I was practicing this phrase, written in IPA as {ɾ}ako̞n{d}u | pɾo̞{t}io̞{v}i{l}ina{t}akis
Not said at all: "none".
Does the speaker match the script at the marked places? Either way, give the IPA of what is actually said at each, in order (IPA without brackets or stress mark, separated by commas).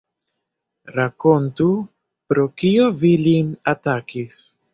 ɾ, t, k, v, l, t